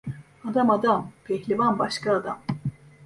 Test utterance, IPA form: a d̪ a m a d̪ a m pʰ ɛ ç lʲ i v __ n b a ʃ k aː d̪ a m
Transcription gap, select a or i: a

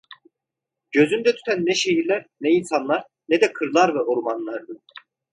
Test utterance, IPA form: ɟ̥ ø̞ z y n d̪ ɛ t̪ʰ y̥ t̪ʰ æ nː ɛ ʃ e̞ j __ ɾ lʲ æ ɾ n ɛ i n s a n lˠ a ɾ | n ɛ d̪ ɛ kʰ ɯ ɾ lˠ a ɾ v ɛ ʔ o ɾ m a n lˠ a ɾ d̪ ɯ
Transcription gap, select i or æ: i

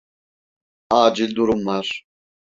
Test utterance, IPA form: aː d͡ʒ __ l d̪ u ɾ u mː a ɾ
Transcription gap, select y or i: i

